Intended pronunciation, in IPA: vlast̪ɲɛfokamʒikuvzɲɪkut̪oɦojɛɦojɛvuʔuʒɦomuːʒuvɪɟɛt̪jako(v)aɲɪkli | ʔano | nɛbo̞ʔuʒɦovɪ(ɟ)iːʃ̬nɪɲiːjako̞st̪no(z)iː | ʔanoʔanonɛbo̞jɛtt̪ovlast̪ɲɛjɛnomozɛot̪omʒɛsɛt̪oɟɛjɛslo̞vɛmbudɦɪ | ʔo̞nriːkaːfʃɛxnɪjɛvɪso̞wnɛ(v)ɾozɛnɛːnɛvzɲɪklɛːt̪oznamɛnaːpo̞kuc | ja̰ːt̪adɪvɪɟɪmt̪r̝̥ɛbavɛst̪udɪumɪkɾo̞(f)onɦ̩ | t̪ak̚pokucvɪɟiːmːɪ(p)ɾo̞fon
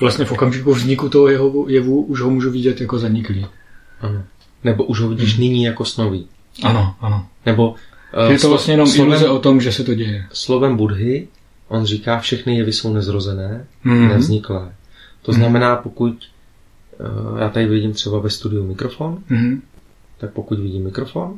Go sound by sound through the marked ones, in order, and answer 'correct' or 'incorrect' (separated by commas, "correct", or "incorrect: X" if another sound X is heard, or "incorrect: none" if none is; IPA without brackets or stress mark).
incorrect: z, correct, incorrect: v, incorrect: z, correct, incorrect: k